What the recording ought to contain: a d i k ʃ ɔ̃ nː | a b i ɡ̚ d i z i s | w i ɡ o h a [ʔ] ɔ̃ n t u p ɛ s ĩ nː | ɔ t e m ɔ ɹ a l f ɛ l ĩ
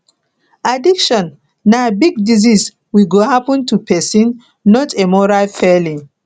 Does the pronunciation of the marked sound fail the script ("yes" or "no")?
yes